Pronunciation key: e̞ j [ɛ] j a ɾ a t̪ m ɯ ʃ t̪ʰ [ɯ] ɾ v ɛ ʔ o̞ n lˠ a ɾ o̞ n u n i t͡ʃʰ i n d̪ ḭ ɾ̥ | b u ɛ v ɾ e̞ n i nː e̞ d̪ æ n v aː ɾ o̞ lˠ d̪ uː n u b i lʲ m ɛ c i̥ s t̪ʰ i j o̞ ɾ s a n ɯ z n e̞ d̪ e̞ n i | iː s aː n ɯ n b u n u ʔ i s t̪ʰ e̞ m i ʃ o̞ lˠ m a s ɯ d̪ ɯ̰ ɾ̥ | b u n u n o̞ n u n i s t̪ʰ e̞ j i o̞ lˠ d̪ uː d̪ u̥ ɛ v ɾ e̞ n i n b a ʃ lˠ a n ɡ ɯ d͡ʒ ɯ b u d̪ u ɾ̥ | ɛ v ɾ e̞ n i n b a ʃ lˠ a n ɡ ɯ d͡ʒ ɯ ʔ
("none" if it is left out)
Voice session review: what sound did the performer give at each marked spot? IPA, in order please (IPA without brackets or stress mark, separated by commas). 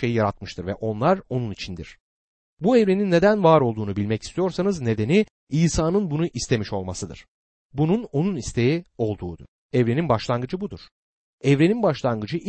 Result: i, ɯ